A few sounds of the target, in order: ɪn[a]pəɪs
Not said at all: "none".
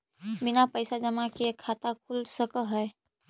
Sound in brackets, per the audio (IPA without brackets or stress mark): a